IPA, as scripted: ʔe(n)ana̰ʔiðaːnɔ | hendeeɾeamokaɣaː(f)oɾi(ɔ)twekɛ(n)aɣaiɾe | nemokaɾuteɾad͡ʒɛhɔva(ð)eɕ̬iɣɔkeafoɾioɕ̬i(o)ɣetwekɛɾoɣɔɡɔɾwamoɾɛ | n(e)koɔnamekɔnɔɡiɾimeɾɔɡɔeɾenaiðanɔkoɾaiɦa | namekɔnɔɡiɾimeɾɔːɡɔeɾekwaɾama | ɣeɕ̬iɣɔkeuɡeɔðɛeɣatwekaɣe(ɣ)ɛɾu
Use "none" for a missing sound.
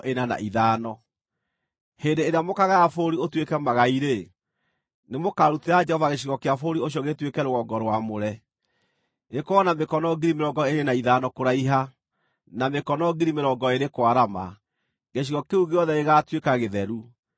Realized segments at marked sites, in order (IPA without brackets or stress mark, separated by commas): n, f, o, m, ɣ, ɔ, e, ð